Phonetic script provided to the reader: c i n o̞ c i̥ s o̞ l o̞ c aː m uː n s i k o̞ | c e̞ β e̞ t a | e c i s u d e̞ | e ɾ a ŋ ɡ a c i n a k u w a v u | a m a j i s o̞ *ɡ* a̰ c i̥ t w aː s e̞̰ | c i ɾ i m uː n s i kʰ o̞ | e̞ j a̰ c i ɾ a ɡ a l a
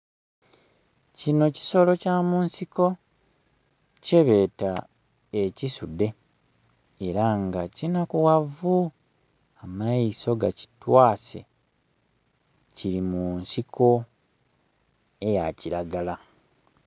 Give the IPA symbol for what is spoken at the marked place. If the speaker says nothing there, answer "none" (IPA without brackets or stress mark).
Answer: ɡ